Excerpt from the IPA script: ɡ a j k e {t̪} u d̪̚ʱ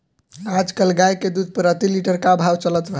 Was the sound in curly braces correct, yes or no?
no